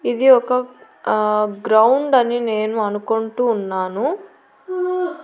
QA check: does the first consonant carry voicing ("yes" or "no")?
yes